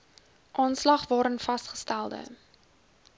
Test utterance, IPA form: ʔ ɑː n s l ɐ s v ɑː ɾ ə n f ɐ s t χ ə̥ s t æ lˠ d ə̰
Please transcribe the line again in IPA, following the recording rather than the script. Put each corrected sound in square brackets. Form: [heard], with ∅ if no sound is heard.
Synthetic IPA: ʔ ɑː n s l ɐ [χ] v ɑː ɾ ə n f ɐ s t χ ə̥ s t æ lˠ d ə̰